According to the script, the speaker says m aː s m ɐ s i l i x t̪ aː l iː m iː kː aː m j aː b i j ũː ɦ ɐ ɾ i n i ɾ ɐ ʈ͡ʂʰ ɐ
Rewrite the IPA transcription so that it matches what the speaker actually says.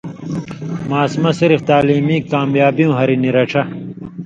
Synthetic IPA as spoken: m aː s m ɐ s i ɾ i f t̪ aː l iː m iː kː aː m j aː b i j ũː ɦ ɐ ɾ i n i ɾ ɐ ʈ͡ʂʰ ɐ